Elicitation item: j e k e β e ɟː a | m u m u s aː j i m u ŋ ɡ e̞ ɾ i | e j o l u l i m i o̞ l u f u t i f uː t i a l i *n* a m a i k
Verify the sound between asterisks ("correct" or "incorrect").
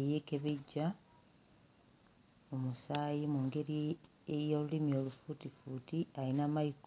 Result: correct